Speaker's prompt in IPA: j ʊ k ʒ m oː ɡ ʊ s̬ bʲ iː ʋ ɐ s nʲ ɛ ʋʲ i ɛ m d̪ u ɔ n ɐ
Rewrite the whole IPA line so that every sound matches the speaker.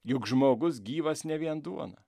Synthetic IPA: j ʊ k ʒ m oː ɡ ʊ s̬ ɡʲ iː ʋ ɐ s nʲ ɛ ʋʲ i ɛ n d̪ u ɔ n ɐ